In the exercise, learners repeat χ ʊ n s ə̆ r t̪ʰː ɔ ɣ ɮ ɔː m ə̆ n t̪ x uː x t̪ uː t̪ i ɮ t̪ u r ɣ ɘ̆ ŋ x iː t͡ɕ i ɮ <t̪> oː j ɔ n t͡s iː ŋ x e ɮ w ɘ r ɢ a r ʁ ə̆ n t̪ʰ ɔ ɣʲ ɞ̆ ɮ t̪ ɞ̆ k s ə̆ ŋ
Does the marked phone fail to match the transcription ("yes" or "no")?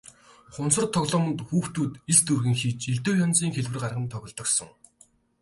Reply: no